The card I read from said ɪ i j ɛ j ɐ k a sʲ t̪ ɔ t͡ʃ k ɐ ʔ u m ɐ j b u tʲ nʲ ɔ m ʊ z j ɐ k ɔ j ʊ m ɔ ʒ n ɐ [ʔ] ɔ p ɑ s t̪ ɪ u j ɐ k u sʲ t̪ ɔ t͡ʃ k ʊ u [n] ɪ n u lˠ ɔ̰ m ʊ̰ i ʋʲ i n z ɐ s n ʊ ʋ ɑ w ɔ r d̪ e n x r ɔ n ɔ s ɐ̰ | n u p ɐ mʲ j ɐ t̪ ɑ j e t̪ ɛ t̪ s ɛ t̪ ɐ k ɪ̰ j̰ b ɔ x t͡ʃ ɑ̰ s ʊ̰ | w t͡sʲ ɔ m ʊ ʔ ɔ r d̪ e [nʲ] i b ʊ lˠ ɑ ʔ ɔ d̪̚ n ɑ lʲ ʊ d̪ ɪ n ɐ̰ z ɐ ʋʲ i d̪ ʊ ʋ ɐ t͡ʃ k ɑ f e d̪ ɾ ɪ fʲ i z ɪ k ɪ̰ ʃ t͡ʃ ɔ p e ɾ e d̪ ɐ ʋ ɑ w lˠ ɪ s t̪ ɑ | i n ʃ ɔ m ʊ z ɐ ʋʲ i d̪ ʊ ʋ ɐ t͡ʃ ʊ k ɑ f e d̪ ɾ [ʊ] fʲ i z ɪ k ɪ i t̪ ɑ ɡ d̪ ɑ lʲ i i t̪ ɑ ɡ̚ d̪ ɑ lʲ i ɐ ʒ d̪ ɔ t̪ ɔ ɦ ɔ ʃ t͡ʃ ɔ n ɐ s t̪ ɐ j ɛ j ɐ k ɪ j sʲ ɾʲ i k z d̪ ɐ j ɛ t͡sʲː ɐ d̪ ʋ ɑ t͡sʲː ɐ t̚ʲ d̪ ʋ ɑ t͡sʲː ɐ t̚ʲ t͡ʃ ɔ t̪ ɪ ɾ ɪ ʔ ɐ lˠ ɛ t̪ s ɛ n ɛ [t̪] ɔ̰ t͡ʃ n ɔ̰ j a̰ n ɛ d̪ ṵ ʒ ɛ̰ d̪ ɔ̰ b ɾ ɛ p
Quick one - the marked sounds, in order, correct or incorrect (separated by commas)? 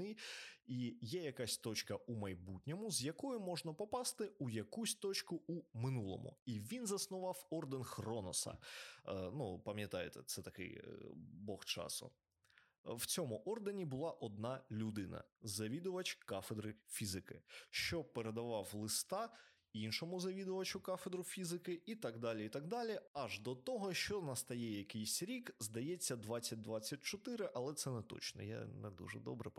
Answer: incorrect, incorrect, correct, correct, correct